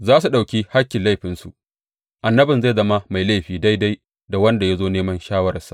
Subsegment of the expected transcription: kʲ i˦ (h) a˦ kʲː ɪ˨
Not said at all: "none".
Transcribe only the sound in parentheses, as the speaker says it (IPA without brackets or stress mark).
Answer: h